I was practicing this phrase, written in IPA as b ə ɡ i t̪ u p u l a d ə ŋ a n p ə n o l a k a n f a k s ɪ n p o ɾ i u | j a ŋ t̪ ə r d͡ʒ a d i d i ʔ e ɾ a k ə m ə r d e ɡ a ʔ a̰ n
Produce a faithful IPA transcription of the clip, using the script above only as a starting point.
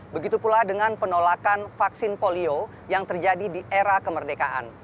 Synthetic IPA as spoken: b ə ɡ i t̪ u p u l a d ə ŋ a n p ə n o l a k a n f a k s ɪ n p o l i o | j a ŋ t̪ ə r d͡ʒ a d i d i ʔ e ɾ a k ə m ə r d e k a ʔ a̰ n